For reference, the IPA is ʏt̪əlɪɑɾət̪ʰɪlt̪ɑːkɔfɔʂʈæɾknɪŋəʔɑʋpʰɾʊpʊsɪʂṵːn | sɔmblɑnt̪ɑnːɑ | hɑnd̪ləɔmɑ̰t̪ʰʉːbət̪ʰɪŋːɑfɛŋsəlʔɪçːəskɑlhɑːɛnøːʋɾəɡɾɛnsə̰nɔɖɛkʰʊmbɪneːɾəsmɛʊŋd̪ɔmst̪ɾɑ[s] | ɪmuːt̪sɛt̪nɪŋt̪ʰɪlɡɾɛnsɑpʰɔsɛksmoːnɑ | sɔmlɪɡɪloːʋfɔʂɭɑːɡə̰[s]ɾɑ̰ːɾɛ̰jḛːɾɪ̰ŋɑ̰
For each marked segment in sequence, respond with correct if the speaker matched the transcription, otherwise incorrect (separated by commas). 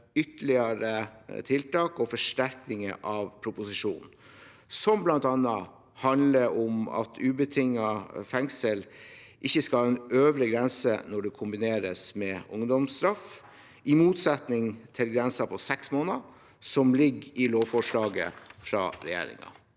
incorrect, incorrect